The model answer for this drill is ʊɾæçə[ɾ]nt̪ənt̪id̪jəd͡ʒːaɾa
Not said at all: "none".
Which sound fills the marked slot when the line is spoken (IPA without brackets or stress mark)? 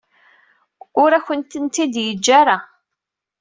none